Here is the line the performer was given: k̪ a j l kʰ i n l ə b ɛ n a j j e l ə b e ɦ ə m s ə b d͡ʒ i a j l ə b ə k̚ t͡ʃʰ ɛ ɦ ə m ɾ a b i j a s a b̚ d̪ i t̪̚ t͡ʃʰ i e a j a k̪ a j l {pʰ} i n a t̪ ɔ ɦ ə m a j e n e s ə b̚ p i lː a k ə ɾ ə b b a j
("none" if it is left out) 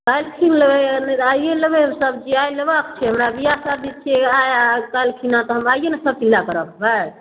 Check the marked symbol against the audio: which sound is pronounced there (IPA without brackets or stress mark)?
kʰ